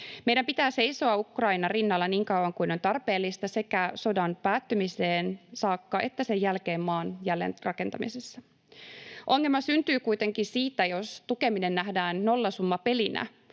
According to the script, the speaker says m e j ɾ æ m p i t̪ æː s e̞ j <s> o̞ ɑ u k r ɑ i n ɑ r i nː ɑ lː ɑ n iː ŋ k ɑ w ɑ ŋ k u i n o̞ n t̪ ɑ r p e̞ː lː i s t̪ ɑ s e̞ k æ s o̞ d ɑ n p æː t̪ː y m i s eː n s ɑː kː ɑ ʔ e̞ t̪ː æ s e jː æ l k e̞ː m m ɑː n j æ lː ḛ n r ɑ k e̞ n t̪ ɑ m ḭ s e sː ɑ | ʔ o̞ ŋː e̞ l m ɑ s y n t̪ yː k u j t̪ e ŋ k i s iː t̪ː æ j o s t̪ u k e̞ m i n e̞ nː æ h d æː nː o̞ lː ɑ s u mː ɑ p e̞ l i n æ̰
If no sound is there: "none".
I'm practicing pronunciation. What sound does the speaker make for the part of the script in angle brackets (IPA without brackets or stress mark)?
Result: s